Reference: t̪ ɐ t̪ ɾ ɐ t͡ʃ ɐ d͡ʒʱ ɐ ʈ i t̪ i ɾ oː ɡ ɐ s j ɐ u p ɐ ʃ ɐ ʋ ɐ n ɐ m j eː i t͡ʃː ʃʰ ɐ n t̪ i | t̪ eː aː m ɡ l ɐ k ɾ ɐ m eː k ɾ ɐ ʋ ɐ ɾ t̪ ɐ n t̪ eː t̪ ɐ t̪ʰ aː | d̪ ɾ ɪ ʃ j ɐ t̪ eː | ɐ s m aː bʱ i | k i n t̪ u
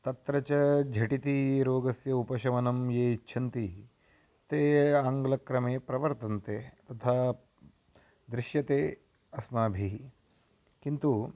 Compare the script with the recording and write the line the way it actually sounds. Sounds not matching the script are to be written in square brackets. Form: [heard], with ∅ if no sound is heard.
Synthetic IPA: t̪ ɐ t̪ ɾ ɐ t͡ʃ ɐ d͡ʒʱ ɐ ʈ i t̪ i ɾ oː ɡ ɐ s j ɐ u p ɐ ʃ ɐ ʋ ɐ n ɐ m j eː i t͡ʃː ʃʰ ɐ n t̪ i | t̪ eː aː [ŋ] ɡ l ɐ k ɾ ɐ m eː [p] ɾ ɐ ʋ ɐ ɾ t̪ ɐ n t̪ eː t̪ ɐ t̪ʰ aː | d̪ ɾ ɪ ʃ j ɐ t̪ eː | ɐ s m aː bʱ i | k i n t̪ u